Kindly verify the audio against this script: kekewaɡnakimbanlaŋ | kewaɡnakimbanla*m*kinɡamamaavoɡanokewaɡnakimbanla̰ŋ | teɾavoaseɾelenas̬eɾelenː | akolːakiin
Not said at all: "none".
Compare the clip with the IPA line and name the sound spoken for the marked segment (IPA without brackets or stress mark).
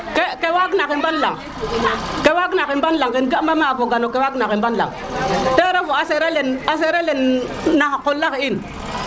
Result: ŋ